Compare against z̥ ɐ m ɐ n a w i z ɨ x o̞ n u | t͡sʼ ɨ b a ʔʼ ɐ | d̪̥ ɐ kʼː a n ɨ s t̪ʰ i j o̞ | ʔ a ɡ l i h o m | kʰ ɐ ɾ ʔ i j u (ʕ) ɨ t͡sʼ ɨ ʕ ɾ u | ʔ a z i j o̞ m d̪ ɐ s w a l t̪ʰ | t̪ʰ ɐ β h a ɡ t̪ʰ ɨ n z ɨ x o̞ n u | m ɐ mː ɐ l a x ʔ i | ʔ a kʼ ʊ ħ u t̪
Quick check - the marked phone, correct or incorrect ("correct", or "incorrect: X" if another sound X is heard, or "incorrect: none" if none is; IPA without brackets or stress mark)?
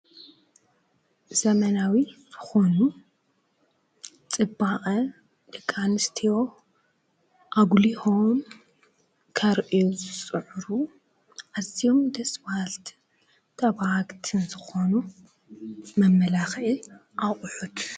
incorrect: z